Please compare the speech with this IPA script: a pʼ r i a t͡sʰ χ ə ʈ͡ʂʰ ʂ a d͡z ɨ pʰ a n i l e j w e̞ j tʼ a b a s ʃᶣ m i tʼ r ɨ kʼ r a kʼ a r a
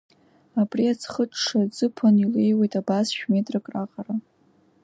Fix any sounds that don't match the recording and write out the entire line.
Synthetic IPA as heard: a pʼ r i a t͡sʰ χ ə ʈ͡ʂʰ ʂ a d͡z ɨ pʰ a n i l e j w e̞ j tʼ a b a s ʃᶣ m e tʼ r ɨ kʼ r a qʼ a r a